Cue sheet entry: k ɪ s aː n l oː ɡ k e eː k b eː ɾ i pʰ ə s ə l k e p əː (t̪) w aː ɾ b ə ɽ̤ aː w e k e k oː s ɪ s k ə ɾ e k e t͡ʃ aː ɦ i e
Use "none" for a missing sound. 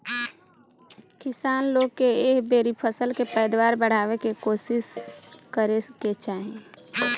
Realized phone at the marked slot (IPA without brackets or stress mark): d̪